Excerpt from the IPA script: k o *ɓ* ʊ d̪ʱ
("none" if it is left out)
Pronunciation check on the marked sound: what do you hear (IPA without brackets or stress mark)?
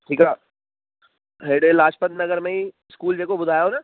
b